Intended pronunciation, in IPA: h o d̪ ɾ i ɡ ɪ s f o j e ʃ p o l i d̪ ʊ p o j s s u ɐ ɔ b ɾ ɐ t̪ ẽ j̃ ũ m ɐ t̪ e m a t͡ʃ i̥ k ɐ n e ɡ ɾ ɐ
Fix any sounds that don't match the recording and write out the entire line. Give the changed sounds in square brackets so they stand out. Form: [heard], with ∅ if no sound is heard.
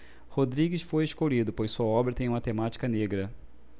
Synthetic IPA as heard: h o d̪ ɾ i ɡ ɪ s f o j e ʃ [k] o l i d̪ ʊ p o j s s u ɐ ɔ b ɾ ɐ t̪ ẽ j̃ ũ m ɐ t̪ e m a t͡ʃ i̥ k ɐ n e ɡ ɾ ɐ

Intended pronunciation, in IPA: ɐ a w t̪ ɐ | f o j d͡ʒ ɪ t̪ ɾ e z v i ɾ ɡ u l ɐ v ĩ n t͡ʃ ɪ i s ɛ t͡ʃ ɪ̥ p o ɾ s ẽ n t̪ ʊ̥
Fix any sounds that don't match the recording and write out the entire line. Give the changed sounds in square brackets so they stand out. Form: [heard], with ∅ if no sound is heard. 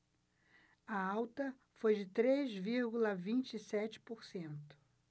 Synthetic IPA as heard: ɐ a w t̪ ɐ | f o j d͡ʒ ɪ t̪ ɾ e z v i ɾ ɡ u l ɐ v ĩ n t͡ʃ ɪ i s ɛ t͡ʃ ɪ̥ p o ɾ s ẽ n t̪ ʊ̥

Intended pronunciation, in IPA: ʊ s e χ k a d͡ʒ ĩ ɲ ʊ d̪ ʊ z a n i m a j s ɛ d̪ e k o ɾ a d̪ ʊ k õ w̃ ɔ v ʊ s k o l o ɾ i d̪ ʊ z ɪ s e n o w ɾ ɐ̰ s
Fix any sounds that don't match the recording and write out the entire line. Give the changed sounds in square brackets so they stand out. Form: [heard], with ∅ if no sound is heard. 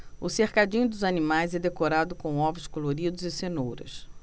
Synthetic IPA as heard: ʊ s e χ k a d͡ʒ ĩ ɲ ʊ d̪ ʊ z a n i m a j [z] ɛ d̪ e k o ɾ a d̪ ʊ k õ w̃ ɔ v ʊ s k o l o ɾ i d̪ ʊ z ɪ s e n o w ɾ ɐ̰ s

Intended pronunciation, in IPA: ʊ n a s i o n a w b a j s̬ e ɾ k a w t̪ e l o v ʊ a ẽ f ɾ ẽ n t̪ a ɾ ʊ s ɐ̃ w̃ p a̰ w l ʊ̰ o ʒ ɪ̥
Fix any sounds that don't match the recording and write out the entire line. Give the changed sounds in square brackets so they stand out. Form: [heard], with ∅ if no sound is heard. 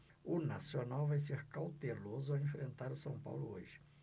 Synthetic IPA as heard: ʊ n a s i o n a w [v] a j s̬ e ɾ k a w t̪ e l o [z] ʊ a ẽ f ɾ ẽ n t̪ a ɾ ʊ s ɐ̃ w̃ p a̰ w l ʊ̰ o ʒ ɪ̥

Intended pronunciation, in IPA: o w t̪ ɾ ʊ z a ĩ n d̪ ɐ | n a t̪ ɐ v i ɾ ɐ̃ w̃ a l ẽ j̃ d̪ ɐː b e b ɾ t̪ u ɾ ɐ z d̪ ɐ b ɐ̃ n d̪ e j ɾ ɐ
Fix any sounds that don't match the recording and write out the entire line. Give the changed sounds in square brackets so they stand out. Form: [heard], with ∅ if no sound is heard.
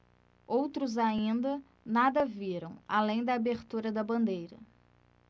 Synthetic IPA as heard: o w t̪ ɾ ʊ z a ĩ n d̪ ɐ | n a [d̪] ɐ v i ɾ ɐ̃ w̃ a l ẽ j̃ d̪ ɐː b e [∅] ɾ t̪ u ɾ ɐ [∅] d̪ ɐ b ɐ̃ n d̪ e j ɾ ɐ

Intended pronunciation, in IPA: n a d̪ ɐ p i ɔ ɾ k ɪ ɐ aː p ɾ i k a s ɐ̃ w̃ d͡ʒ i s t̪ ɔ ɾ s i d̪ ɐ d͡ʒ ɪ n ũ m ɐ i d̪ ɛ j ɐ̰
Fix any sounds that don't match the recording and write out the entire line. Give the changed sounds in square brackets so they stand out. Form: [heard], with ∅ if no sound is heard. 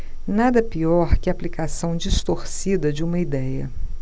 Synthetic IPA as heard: n a d̪ ɐ p i ɔ ɾ k ɪ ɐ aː p [l] i k a s ɐ̃ w̃ d͡ʒ i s t̪ [o] ɾ s i d̪ ɐ d͡ʒ ɪ [∅] ũ m ɐ i d̪ ɛ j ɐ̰

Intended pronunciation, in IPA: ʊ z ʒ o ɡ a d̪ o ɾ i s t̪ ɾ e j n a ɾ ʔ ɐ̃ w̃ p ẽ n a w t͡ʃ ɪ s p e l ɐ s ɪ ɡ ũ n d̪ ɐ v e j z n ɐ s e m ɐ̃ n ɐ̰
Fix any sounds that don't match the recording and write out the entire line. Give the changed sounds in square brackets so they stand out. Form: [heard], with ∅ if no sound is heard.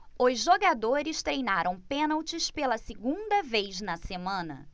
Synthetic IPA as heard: ʊ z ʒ o ɡ a d̪ o ɾ [ɪ] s t̪ ɾ e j n a ɾ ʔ ɐ̃ w̃ p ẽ n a w t͡ʃ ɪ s p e l ɐ s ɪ ɡ ũ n d̪ ɐ v e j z n ɐ s e m ɐ̃ n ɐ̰

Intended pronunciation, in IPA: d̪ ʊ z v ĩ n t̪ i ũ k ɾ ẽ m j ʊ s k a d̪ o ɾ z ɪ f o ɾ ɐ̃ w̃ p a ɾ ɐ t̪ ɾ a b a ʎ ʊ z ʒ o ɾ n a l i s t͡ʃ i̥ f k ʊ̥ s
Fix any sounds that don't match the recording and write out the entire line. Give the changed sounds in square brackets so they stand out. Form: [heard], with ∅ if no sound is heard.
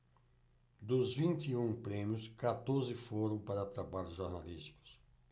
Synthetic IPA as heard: d̪ ʊ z v ĩ n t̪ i ũ [p] ɾ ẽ m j ʊ s k a [t̪] o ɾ z ɪ f o ɾ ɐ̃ w̃ p a ɾ ɐ t̪ ɾ a b a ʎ ʊ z ʒ o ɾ n a l i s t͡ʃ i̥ [∅] k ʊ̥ s

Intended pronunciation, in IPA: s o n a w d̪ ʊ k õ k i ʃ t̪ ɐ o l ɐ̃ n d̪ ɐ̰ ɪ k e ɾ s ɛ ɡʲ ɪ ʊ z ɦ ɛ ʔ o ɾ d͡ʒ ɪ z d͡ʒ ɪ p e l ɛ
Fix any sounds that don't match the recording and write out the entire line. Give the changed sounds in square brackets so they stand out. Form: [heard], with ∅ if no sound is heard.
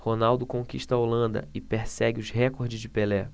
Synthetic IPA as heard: [h] o n a w d̪ ʊ k õ k i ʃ t̪ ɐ o l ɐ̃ n d̪ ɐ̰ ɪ [p] e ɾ s ɛ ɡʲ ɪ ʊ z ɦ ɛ [k] o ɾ d͡ʒ ɪ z d͡ʒ ɪ p e l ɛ

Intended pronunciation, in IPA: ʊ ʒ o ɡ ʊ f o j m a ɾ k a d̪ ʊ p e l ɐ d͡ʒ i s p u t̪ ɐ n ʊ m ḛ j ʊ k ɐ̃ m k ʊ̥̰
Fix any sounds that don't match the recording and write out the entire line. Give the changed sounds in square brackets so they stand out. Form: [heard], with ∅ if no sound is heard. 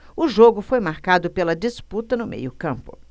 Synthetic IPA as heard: ʊ ʒ o ɡ ʊ f o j m a ɾ k a d̪ ʊ p e l ɐ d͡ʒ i s p u t̪ ɐ n ʊ m ḛ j ʊ k ɐ̃ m [p] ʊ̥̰

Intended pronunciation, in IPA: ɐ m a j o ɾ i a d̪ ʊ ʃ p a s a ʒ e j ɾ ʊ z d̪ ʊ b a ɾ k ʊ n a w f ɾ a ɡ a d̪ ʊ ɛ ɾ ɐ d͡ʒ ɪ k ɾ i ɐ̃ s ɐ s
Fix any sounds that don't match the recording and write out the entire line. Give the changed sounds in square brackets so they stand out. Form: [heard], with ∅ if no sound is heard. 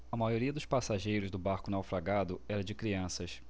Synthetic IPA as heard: ɐ m a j o ɾ i [ɐ] d̪ ʊ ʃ p a s a ʒ e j ɾ ʊ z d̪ ʊ b a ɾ k ʊ n a w f ɾ a ɡ a d̪ ʊ ɛ ɾ ɐ d͡ʒ ɪ k ɾ i ɐ̃ s ɐ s

